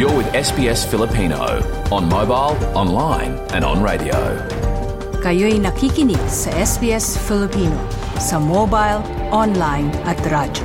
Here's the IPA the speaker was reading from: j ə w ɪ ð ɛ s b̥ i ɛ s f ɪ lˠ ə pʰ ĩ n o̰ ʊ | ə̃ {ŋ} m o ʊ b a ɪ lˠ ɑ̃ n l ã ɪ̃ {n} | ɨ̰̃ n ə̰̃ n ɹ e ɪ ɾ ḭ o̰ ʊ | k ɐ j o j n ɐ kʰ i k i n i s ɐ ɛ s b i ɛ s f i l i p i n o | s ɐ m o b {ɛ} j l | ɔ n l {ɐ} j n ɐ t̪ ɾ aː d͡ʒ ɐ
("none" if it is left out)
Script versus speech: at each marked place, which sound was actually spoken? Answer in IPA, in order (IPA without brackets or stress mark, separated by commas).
n, n, a, a